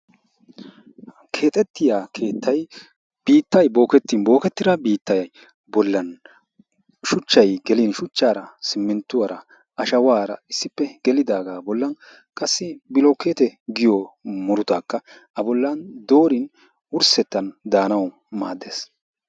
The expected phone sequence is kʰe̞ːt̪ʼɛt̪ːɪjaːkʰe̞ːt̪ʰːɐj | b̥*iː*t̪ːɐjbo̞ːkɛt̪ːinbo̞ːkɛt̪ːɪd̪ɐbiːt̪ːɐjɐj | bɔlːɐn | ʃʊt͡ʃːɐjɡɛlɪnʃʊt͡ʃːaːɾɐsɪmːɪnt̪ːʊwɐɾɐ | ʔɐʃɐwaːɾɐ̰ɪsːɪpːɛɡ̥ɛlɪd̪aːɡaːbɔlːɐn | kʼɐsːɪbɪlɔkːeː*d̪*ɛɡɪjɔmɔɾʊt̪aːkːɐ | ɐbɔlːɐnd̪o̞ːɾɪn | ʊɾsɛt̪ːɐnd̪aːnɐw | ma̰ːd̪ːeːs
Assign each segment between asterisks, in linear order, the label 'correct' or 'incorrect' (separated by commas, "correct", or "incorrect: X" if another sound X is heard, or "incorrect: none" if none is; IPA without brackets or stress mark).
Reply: correct, incorrect: t̪